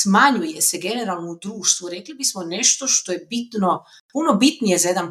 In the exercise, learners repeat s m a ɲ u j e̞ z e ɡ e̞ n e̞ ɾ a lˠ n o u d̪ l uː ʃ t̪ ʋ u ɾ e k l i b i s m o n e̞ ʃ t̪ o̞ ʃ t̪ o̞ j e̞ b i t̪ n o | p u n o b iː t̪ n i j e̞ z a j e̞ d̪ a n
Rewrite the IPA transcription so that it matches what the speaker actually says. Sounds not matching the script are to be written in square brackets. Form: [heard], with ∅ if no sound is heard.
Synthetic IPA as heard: s m a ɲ u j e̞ [s] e ɡ e̞ n e̞ ɾ a lˠ n o u d̪ [ɾ] uː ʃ t̪ ʋ u ɾ e k l i b i s m o n e̞ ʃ t̪ o̞ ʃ t̪ o̞ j e̞ b i t̪ n o | p u n o b [i] t̪ n i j e̞ z a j e̞ d̪ a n